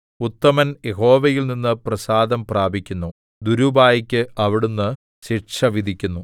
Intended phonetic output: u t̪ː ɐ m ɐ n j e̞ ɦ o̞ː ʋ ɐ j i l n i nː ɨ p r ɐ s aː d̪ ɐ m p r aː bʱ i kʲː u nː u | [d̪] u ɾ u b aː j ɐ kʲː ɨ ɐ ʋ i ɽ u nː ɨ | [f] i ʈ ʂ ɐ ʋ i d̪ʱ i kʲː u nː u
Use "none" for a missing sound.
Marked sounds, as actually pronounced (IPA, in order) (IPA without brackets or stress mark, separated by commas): d̪, ɕ